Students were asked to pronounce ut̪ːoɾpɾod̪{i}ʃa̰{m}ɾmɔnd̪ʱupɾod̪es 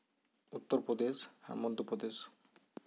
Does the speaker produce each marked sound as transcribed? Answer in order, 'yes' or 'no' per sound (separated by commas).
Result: no, no